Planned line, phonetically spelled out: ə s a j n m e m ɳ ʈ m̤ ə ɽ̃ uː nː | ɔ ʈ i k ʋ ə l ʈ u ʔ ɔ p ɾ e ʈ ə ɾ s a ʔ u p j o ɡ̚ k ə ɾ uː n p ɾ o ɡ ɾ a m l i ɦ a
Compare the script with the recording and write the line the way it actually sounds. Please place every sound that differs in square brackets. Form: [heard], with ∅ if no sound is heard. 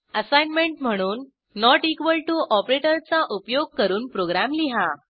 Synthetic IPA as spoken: ə s a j n m e [∅] ɳ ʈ m̤ ə ɽ̃ uː nː | ɔ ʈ i k ʋ ə l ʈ u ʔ ɔ p ɾ e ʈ ə ɾ [t͡s] a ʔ u p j o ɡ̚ k ə ɾ uː n p ɾ o ɡ ɾ a m l i ɦ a